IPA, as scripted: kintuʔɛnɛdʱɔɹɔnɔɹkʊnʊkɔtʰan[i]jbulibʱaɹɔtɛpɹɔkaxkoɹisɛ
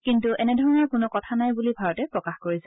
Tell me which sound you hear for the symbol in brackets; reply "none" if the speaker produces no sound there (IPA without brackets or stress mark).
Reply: a